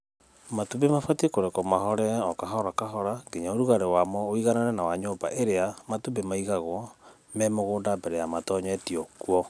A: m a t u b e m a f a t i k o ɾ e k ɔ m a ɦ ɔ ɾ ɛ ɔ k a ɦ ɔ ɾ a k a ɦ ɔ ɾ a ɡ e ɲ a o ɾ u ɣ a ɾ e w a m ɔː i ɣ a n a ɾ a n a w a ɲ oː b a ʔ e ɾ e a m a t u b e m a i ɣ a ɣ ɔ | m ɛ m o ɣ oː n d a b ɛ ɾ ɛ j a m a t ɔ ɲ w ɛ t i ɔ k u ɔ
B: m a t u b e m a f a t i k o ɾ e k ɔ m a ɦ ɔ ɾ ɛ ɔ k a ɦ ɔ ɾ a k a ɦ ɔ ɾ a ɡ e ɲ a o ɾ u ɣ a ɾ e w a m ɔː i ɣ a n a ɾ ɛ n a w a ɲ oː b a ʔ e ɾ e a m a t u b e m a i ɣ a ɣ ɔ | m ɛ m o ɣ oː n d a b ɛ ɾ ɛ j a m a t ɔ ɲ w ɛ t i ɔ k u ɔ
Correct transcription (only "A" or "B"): B